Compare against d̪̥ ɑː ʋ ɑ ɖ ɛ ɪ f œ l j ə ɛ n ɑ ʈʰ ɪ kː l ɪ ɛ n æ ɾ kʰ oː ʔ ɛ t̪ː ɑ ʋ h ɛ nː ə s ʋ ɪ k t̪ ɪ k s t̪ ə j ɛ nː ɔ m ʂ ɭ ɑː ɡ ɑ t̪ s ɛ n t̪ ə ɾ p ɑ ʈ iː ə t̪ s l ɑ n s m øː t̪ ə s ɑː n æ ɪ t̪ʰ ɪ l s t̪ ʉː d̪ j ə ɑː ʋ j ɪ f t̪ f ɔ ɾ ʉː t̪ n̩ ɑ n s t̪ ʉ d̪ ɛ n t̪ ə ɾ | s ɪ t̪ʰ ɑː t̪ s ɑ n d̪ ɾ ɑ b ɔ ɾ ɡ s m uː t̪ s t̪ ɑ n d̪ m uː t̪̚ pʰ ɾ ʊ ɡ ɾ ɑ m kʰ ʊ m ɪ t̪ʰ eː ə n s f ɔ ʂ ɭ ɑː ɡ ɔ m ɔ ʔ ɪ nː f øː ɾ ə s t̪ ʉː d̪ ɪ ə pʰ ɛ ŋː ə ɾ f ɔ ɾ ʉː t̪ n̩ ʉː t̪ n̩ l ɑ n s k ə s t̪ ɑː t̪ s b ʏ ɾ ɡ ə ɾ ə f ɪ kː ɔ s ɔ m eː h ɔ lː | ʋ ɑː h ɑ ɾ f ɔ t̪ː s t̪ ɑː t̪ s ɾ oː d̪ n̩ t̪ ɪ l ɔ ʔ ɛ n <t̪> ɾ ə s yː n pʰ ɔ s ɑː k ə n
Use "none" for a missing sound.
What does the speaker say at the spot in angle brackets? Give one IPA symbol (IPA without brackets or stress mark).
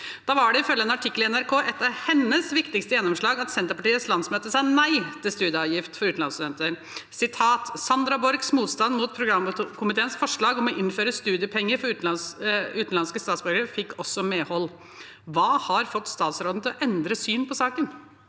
d̪